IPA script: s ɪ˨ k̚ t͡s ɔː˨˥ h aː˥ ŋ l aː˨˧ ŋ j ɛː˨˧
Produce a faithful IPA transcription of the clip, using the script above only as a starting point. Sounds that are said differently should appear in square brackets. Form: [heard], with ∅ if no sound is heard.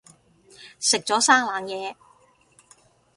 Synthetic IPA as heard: s ɪ˨ k̚ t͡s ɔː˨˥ [s] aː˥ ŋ l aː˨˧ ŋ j ɛː˨˧